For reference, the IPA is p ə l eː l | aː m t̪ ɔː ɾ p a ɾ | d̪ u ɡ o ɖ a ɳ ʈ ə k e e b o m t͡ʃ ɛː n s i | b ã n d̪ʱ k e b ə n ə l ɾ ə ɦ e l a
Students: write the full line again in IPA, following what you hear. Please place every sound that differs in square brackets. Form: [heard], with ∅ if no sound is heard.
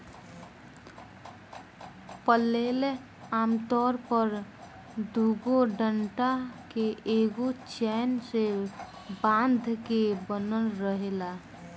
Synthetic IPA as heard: p ə l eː l | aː m t̪ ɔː ɾ p [ə] ɾ | d̪ u ɡ o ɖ [ə] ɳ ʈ [a] k e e [ɡ] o [∅] t͡ʃ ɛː n s [e] | b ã n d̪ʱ k e b ə n ə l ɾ ə ɦ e l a